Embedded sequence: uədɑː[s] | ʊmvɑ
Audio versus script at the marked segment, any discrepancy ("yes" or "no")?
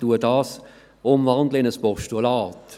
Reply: no